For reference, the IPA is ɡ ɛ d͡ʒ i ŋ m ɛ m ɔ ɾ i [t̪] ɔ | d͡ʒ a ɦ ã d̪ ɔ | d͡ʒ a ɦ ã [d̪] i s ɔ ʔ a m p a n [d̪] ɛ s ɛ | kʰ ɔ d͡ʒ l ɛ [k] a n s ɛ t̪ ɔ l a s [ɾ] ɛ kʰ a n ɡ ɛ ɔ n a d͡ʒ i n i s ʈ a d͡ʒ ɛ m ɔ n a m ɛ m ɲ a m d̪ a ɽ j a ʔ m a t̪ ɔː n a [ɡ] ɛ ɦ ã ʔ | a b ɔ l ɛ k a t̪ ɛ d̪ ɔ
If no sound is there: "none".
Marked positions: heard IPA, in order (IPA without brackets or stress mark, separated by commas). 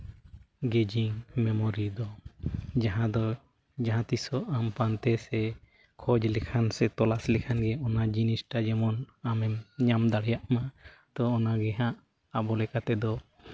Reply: d̪, t̪, t̪, kʰ, l, ɡ